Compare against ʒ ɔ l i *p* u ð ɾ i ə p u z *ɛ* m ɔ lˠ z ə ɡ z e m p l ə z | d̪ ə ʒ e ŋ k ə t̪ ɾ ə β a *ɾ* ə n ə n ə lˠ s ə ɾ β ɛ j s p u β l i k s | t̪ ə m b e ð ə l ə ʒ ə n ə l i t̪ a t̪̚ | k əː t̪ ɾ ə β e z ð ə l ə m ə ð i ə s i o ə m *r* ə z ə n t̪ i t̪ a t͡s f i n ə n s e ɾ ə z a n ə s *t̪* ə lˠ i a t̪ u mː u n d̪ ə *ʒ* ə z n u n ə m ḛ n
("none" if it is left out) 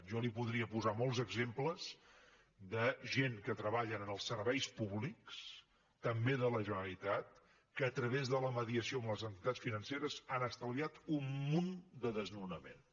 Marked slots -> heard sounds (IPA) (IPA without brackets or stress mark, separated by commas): p, a, ʎ, l, t̪, ð